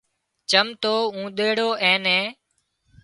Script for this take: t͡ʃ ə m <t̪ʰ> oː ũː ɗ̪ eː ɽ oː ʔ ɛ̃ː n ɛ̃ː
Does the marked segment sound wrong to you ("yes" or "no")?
yes